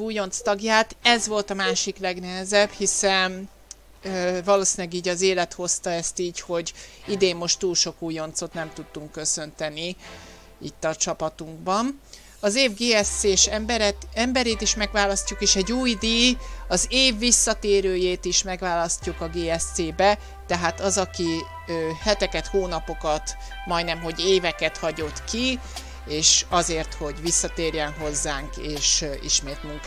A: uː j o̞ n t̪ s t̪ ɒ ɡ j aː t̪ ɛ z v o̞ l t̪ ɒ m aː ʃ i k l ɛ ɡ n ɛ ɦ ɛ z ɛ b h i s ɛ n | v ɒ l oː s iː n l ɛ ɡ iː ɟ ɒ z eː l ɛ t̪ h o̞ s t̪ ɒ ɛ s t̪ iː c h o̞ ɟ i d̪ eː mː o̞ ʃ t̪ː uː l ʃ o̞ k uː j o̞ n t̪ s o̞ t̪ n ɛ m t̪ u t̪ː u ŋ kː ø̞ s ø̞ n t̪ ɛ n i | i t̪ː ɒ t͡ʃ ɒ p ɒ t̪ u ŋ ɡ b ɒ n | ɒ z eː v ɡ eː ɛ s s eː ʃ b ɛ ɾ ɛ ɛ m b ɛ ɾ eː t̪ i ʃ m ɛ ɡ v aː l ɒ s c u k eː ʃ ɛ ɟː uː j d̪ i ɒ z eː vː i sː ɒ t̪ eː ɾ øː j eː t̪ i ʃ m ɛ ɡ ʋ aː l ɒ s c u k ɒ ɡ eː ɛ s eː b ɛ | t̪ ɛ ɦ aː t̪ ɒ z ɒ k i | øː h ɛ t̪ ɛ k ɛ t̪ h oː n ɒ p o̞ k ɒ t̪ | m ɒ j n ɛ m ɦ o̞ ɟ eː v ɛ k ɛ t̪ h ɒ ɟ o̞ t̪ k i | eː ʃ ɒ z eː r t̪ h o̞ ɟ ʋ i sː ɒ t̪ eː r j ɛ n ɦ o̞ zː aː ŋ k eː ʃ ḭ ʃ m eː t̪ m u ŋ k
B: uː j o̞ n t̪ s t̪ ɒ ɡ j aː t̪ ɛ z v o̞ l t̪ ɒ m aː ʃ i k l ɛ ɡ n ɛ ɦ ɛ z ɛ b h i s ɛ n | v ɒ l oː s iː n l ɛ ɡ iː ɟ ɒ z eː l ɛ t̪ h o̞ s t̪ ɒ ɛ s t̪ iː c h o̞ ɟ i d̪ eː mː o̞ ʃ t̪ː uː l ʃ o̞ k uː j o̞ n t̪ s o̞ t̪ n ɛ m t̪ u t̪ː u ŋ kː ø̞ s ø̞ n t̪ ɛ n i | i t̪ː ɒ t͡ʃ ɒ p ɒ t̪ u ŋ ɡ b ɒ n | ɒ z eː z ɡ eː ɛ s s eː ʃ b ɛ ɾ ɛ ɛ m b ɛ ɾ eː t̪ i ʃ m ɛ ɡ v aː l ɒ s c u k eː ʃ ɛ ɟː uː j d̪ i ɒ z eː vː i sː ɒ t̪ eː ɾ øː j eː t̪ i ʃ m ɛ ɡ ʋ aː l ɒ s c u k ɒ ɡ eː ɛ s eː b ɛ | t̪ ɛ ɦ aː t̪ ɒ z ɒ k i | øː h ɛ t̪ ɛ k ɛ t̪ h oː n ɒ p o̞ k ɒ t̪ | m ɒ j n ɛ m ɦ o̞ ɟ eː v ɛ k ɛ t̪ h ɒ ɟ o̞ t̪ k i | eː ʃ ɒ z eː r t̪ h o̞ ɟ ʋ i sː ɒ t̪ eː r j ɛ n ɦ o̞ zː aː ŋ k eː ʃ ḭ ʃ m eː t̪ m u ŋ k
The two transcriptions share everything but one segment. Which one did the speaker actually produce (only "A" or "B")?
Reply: A